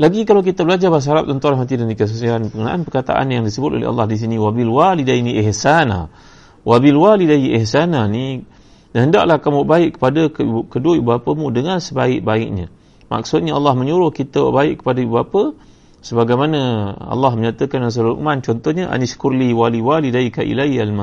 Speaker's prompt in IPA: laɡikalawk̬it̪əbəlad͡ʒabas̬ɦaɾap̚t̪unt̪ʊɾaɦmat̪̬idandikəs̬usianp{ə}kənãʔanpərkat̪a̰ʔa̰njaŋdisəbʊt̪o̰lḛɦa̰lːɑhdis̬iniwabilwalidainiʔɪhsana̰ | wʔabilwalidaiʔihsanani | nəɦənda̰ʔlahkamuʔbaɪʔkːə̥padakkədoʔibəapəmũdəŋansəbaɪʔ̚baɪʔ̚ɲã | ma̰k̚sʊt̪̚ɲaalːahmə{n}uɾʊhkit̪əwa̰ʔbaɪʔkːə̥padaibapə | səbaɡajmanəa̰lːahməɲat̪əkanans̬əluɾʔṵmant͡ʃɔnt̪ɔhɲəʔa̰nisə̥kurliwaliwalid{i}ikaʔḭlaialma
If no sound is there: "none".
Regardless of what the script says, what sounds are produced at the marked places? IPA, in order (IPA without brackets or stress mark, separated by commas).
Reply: ə, ɲ, a